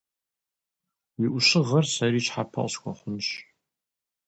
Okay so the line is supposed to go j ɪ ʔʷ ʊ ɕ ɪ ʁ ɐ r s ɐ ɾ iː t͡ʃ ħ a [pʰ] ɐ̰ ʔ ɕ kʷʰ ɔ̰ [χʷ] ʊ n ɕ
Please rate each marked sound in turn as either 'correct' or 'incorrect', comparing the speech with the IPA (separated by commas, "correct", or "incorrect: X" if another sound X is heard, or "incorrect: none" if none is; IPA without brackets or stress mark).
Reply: correct, correct